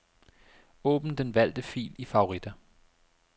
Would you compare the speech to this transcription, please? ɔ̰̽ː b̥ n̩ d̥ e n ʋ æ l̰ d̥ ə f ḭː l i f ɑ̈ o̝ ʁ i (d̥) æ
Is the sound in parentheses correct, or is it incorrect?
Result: correct